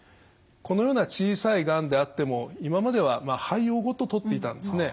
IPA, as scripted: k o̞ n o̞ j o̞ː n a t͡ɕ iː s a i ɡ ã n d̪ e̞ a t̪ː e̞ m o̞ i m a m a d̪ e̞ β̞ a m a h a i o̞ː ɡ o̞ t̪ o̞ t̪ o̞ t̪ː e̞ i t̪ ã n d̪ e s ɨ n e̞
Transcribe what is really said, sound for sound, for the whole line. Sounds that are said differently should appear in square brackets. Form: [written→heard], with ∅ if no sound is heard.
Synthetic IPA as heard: k o̞ n o̞ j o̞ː n a t͡ɕ iː s a i ɡ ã n d̪ e̞ a t̪ː e̞ m o̞ i m a m a d̪ e̞ β̞ a m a h a i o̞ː ɡ o̞ t̪ o̞ t̪ o̞ t̪ː e̞ i t̪ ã n d̪ e s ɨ n e̞